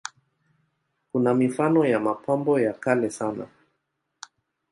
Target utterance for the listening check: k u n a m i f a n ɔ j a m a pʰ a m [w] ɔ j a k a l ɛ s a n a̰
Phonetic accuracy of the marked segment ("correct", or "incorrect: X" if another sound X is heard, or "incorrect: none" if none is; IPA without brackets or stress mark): incorrect: b